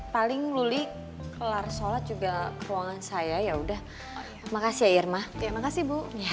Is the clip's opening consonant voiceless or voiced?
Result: voiceless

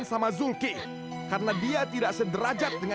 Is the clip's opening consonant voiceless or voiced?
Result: voiced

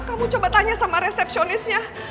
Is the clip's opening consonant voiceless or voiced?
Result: voiceless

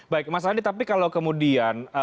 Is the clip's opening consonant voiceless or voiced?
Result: voiced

